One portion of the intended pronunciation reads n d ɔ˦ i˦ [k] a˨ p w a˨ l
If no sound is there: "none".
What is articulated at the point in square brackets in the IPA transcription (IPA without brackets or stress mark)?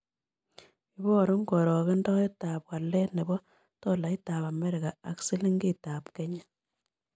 t